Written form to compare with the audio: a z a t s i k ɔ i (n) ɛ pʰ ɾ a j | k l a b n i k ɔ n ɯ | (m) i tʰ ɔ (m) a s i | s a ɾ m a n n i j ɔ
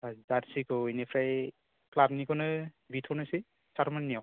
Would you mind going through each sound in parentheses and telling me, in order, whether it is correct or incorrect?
correct, incorrect, incorrect

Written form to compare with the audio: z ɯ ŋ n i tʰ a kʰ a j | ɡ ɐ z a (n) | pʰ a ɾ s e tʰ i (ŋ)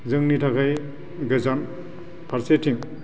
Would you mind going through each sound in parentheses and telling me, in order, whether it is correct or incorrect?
correct, correct

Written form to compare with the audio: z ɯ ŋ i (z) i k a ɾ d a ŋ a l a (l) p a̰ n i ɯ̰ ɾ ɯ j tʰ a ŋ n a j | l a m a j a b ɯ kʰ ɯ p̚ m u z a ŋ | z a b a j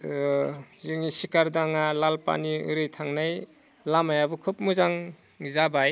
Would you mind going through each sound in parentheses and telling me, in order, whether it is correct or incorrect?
incorrect, correct

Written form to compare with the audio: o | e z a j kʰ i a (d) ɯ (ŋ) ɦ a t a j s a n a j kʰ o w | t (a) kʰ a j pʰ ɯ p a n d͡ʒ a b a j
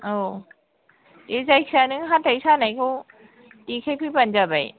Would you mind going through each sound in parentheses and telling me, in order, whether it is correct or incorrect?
incorrect, correct, incorrect

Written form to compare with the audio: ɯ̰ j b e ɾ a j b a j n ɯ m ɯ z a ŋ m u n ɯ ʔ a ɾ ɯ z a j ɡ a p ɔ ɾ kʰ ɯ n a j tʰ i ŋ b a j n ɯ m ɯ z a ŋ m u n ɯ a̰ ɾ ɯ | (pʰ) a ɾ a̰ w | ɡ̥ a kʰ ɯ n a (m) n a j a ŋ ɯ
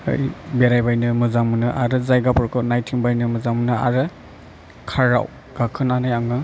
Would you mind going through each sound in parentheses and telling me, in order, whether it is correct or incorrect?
incorrect, incorrect

